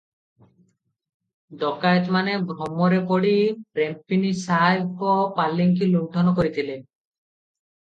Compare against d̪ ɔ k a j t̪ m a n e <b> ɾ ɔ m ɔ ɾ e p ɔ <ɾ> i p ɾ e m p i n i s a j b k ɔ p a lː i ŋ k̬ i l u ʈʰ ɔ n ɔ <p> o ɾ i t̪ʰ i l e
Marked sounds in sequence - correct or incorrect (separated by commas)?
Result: correct, incorrect, incorrect